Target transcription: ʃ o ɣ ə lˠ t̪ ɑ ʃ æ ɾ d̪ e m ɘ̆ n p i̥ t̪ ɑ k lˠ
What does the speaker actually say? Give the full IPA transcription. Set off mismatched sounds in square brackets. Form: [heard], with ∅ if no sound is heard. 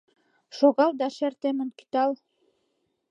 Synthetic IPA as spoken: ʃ o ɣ [ɑ] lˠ [d̪] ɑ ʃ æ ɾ [t̪] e m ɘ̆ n [k] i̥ t̪ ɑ [∅] lˠ